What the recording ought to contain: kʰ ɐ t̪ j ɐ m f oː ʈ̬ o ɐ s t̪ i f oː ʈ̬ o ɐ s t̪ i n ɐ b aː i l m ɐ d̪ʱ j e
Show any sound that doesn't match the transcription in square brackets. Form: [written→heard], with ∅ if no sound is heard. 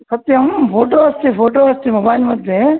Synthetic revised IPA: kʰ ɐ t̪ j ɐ m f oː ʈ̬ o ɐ s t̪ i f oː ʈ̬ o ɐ s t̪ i [n→m] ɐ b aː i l m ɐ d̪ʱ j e